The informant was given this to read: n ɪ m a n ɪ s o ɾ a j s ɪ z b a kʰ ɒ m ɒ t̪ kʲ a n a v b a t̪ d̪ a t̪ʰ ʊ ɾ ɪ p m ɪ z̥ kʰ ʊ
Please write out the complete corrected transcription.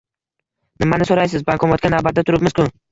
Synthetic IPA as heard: n ɪ m a n ɪ s o ɾ a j s ɪ z b a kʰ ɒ m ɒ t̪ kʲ a n a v b a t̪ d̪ a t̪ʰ ʊ ɾ ɪ p m ɪ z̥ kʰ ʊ